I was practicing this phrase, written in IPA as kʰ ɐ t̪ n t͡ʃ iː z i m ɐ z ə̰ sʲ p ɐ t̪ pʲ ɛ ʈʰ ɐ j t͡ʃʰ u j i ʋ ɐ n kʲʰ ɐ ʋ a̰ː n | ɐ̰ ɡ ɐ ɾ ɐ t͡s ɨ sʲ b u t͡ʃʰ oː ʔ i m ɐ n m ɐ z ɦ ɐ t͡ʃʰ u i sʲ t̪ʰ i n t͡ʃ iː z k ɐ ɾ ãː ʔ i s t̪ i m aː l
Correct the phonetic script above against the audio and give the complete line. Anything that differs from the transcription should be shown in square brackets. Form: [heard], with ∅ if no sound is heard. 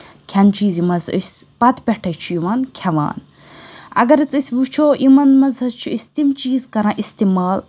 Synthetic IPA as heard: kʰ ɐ [∅] n t͡ʃ iː z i m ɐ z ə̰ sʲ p ɐ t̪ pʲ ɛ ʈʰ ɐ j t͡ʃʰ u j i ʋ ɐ n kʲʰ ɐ ʋ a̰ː n | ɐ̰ ɡ ɐ ɾ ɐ t͡s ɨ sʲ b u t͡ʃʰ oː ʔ i m ɐ n m ɐ z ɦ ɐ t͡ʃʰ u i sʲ [t̪] i [m] t͡ʃ iː z k ɐ ɾ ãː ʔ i s t̪ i m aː l